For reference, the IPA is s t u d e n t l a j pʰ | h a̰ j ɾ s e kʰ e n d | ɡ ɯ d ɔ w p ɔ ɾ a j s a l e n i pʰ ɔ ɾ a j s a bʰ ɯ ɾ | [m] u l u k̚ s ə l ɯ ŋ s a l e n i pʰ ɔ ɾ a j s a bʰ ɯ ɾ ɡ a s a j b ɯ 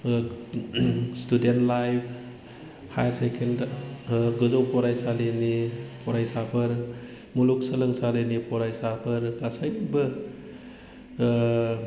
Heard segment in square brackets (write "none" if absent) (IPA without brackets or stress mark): m